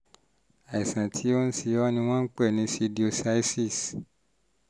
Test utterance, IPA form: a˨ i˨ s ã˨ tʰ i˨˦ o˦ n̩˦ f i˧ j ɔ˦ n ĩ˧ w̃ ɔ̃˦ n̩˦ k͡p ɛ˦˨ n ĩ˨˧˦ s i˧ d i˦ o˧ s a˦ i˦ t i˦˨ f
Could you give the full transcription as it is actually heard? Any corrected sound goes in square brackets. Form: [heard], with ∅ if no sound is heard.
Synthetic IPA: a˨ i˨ s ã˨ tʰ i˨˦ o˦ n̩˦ [s] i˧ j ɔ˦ n ĩ˧ w̃ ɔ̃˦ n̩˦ k͡p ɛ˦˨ n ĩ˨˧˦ s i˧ d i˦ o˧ s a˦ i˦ [s] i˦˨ [s]